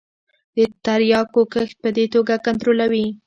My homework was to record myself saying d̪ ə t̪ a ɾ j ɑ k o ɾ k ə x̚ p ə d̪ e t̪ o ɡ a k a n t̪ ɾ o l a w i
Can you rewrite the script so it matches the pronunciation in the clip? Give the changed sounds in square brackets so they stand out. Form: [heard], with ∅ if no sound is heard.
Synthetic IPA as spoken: d̪ ə t̪ a ɾ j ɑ k o [∅] k ə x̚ p ə d̪ e t̪ o ɡ a k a n t̪ ɾ o l a w i